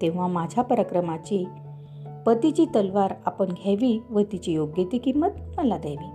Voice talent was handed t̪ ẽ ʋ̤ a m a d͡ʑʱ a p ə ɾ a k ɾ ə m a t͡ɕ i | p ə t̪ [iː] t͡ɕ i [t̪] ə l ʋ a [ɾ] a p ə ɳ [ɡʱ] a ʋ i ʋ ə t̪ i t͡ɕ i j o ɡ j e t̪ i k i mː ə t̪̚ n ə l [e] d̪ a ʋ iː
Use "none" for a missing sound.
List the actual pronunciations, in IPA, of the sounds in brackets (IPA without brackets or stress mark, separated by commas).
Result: i, t̪, ɾ, ɡʱ, a